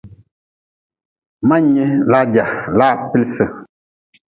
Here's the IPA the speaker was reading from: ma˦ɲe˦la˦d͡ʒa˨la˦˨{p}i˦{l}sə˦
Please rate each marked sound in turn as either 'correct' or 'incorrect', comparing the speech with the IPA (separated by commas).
correct, correct